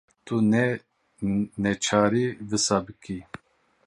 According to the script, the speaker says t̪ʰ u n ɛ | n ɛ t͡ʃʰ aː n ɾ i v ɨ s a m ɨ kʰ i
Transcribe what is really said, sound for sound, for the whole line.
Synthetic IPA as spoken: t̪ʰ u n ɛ | n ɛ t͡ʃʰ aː ɾ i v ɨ s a b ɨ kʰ i